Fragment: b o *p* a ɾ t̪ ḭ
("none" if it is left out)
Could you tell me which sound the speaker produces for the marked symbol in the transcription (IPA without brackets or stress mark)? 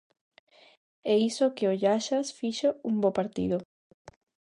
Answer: p